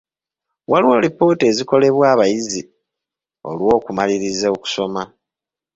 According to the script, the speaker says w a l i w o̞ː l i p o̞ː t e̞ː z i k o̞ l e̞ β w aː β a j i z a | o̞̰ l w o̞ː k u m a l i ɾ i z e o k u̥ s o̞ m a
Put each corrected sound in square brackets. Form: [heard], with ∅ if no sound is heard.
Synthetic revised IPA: w a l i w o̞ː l i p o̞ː t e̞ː z i k o̞ l e̞ β w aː β a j i z [i] | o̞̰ l w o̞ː k u m a l i ɾ i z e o k u̥ s o̞ m a